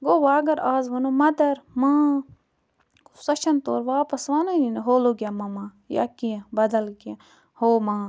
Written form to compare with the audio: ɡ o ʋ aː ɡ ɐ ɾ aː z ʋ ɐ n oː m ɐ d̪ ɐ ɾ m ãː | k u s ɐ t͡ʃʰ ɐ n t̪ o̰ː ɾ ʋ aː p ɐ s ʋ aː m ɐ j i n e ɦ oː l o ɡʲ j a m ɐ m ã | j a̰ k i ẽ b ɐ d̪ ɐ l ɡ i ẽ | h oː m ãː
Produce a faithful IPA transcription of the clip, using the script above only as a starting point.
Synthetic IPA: ɡ o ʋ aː ɡ ɐ ɾ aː z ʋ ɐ n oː m ɐ d̪ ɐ ɾ m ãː | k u s ɐ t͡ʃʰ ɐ n t̪ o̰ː ɾ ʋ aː p ɐ s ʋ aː n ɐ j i n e ɦ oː l o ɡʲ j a m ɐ m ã | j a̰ k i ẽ b ɐ d̪ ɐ l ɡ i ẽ | h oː m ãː